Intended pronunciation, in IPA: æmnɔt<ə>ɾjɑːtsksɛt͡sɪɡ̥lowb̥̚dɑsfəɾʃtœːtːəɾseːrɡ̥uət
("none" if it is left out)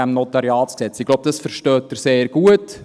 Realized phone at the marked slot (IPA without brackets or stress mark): ɑ